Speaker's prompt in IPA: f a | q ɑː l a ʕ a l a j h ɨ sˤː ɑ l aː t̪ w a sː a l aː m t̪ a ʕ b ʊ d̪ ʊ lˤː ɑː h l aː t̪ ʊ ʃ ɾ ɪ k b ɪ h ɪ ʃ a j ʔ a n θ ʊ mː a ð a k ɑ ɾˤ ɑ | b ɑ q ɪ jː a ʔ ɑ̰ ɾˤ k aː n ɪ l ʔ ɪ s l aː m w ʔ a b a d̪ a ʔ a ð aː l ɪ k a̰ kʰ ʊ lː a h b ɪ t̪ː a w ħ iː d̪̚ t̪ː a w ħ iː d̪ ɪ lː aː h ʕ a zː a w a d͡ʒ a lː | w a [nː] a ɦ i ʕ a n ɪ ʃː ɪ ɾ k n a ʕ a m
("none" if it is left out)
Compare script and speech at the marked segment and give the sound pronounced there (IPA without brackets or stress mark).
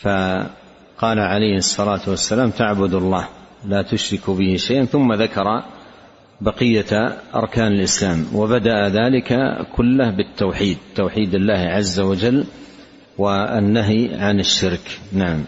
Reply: nː